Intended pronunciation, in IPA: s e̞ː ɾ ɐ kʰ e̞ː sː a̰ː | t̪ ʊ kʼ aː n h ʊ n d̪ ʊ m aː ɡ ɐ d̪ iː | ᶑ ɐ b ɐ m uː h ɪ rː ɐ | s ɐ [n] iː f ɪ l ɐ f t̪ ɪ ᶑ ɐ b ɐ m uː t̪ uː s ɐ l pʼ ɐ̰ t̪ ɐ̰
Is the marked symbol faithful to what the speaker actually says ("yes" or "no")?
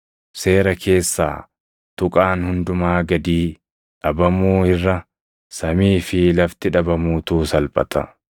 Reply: no